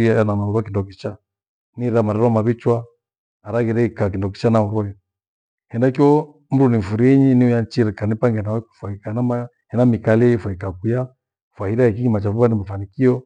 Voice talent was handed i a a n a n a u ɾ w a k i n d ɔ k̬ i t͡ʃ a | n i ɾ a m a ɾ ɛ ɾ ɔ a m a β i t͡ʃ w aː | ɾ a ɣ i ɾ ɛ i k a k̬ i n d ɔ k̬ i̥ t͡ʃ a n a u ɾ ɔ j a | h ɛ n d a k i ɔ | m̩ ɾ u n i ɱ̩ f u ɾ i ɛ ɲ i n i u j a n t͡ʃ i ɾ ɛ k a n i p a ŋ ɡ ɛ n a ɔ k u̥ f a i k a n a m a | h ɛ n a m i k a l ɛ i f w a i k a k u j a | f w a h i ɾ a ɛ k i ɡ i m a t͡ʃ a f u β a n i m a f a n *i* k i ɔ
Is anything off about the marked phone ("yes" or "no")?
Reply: no